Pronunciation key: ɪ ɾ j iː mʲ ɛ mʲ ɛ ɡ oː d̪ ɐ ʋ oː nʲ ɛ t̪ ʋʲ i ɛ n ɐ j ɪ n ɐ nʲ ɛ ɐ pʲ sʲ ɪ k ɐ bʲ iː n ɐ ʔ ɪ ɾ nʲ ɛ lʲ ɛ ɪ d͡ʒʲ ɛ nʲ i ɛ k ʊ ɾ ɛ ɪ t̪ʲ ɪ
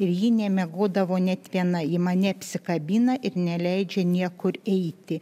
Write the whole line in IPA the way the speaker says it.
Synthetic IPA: ɪ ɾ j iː nʲ ɛ mʲ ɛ ɡ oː d̪ ɐ ʋ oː nʲ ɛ t̪ ʋʲ i ɛ n ɐ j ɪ m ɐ nʲ ɛ ɐ pʲ sʲ ɪ k ɐ bʲ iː n ɐ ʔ ɪ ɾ nʲ ɛ lʲ ɛ ɪ d͡ʒʲ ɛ nʲ i ɛ k ʊ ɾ ɛ ɪ t̪ʲ ɪ